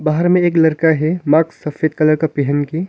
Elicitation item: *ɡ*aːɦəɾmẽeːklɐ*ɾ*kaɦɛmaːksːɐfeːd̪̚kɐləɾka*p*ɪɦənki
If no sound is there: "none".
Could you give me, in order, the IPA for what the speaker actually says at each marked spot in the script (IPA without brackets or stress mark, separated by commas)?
b, ɾ, p